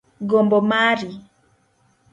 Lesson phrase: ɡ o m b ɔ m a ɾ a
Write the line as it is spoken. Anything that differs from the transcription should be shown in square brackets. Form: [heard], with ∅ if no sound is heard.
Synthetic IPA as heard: ɡ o m b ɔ m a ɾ [i]